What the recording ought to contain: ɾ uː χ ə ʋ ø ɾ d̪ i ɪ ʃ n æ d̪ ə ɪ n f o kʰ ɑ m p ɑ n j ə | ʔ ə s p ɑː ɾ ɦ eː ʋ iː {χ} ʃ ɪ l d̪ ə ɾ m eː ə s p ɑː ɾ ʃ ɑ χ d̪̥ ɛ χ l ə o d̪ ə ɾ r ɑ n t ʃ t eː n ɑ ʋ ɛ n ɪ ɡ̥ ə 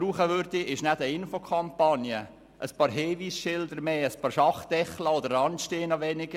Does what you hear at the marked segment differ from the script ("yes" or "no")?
yes